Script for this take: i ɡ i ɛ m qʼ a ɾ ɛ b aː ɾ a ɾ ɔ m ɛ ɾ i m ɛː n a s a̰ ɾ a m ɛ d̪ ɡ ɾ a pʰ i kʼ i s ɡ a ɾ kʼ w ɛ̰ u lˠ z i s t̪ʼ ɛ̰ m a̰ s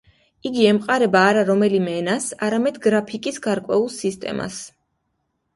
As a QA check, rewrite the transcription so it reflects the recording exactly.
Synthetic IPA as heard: i ɡ i ɛ m qʼ a ɾ ɛ b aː ɾ a ɾ ɔ m ɛ l i m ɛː n a s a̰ ɾ a m ɛ d̪ ɡ ɾ a pʰ i kʼ i s ɡ a ɾ kʼ w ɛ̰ u lˠ s i s t̪ʼ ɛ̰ m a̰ s